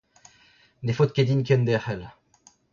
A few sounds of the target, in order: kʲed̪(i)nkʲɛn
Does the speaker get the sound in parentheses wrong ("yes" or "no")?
no